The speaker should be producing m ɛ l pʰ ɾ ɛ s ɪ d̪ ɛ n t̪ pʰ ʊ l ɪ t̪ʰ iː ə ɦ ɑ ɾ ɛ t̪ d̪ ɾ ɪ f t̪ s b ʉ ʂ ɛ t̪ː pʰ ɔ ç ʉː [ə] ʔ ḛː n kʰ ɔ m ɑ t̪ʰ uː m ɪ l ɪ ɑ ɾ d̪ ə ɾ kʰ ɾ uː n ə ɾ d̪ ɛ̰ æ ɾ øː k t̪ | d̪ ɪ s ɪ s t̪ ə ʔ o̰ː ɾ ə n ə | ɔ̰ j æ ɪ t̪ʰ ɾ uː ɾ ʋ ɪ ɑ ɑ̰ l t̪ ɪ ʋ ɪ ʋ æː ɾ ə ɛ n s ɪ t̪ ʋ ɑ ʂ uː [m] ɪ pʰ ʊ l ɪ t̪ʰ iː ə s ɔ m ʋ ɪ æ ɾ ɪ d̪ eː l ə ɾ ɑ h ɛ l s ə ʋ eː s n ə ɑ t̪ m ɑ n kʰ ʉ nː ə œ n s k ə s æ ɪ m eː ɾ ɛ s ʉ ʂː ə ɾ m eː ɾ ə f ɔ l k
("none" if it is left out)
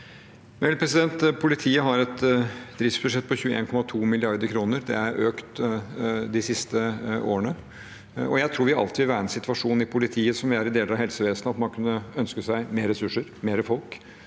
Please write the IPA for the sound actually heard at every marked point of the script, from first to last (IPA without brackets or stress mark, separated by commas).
ə, n